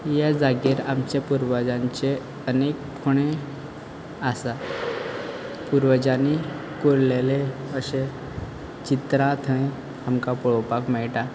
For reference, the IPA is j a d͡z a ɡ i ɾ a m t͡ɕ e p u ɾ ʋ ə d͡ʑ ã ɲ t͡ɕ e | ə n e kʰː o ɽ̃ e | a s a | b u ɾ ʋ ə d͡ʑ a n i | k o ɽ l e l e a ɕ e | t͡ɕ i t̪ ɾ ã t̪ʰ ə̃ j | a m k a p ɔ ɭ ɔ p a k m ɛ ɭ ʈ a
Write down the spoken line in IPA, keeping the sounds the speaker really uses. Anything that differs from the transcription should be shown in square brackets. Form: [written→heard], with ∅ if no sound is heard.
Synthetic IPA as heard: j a d͡z a ɡ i ɾ a m t͡ɕ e p u ɾ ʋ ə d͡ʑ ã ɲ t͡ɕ e | ə n e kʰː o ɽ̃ e | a s a | [b→p] u ɾ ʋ ə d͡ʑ a n i | k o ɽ l e l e [a→ə] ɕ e | t͡ɕ i t̪ ɾ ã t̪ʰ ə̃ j | a m k a p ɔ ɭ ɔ p a k m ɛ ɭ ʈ a